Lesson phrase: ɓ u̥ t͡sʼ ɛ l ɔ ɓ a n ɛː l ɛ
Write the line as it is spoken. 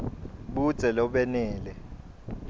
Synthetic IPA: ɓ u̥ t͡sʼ ɛ l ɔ ɓ ɛ n ɛː l ɛ